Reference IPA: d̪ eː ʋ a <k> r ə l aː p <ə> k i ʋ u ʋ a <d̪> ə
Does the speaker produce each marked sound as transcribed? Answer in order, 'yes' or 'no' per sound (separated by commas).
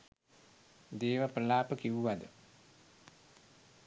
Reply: no, yes, yes